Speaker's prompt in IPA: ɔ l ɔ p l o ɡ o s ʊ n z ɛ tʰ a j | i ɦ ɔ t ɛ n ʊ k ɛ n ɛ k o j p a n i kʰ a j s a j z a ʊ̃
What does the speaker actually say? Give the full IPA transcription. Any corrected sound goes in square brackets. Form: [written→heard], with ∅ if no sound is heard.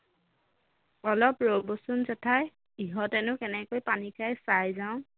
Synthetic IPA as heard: ɔ l ɔ p [l→ɹ] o [ɡ→b] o s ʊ n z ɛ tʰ a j | i ɦ ɔ t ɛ n ʊ k ɛ n ɛ k o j p a n i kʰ a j s a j z a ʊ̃

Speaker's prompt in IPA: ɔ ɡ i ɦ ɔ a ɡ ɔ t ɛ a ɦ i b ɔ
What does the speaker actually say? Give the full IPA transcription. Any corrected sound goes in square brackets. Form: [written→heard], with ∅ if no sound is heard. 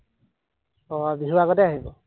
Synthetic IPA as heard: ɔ [ɡ→b] i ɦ [ɔ→u] a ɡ ɔ t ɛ a ɦ i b ɔ

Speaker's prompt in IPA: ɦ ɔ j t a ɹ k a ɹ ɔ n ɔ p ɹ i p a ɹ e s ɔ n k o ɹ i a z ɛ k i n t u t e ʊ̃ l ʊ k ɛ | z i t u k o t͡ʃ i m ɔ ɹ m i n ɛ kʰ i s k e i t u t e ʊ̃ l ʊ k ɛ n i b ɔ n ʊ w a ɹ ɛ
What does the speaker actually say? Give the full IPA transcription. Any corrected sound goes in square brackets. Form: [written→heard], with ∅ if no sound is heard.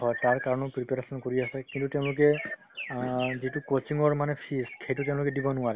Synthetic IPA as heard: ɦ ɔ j t a ɹ k a ɹ ɔ n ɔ p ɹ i p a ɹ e s ɔ n k o ɹ i a [z→s] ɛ k i n t u t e ʊ̃ l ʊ k ɛ | z i t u k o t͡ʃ i [m→ŋ] ɔ ɹ m [i→a] n ɛ [kʰ→pʰ] i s [k→kʰ] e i t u t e ʊ̃ l ʊ k ɛ [n→d] i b ɔ n ʊ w a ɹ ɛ

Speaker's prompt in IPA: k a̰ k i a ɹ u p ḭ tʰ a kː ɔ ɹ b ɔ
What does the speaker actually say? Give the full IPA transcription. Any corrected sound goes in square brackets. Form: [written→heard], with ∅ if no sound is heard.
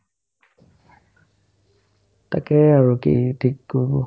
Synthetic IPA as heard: [k→t] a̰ k [i→ɛ] a ɹ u [p→k] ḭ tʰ [a→i] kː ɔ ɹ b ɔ

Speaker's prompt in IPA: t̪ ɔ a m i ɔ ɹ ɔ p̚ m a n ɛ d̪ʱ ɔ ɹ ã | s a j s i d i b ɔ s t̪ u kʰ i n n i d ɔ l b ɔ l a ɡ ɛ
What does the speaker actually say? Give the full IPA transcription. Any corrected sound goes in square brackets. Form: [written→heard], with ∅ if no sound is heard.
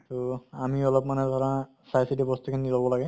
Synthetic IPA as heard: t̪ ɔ a m i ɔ [ɹ→l] ɔ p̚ m a n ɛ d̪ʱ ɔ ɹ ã | s a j s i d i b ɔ s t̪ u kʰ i n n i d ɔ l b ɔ l a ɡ ɛ

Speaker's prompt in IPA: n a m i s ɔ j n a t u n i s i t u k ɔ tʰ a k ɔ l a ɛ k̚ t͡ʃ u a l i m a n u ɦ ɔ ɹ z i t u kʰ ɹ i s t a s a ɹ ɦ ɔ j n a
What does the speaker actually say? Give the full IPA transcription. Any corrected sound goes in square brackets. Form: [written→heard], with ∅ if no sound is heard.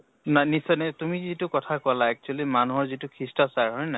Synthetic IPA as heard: n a [m→n] i s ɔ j n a t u [n→m] i [s→z] i t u k ɔ tʰ a k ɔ l a ɛ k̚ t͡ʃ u a l i m a n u ɦ ɔ ɹ z i t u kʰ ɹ i s t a s a ɹ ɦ ɔ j n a

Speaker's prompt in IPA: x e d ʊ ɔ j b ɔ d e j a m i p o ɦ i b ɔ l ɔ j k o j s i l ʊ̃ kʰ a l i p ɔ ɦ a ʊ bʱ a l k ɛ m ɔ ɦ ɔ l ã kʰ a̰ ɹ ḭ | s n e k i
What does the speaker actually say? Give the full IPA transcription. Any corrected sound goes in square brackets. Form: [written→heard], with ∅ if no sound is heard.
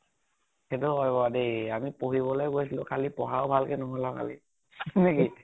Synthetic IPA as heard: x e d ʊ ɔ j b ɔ d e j a m i p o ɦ i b ɔ l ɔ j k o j s i l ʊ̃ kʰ a l i p ɔ ɦ a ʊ bʱ a l k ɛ [m→n] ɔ ɦ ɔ l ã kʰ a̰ [ɹ→l] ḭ | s n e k i

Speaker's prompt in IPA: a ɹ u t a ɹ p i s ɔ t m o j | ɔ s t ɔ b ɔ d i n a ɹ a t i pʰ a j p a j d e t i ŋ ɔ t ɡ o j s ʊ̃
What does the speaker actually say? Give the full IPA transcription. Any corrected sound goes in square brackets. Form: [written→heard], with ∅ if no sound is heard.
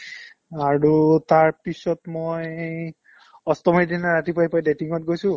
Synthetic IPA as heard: a ɹ u t a ɹ p i s ɔ t m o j | ɔ s t ɔ [b→m] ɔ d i n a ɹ a t i [pʰ→p] a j p a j d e t i ŋ ɔ t ɡ o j s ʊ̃

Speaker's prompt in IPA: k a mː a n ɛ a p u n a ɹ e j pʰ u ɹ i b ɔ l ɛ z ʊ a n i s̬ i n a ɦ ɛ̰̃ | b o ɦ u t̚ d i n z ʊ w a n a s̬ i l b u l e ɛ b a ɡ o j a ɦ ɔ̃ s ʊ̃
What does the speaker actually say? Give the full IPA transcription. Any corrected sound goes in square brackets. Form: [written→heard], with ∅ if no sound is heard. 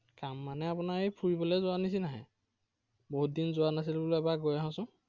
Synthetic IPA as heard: k a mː a n ɛ a p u n a ɹ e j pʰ u ɹ i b ɔ l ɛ z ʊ a n i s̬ i n a ɦ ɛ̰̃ | b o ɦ u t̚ d i n z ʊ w a n a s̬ i l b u l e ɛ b a ɡ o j a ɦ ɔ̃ s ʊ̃

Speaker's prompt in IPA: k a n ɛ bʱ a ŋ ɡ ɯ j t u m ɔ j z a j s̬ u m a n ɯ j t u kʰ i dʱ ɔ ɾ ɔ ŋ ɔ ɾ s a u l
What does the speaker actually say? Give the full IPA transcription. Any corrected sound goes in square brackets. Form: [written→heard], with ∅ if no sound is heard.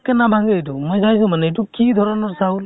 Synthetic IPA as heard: k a n [ɛ→a] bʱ a ŋ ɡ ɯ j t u m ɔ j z a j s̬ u m a n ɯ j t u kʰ i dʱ ɔ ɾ ɔ [ŋ→n] ɔ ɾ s a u l

